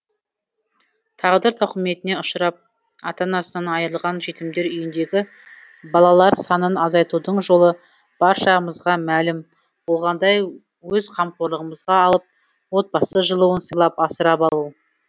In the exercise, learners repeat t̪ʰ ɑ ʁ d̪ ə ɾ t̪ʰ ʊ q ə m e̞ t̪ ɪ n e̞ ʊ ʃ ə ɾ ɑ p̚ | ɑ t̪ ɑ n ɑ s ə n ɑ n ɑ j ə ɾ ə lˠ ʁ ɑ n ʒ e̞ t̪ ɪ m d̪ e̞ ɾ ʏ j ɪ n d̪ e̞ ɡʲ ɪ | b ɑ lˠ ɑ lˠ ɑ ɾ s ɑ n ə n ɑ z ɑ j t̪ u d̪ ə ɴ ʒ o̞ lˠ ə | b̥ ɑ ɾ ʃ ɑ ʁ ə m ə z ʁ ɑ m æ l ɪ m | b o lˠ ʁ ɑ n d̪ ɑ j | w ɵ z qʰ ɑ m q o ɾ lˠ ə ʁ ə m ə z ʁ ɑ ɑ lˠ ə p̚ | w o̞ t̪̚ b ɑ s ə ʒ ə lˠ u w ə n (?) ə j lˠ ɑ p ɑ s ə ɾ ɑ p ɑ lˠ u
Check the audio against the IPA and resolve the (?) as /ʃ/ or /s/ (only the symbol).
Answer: s